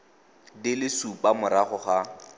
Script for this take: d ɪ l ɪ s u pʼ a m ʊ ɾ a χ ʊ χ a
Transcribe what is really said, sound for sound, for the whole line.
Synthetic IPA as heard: d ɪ l ɪ s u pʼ a m ʊ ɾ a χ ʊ χ a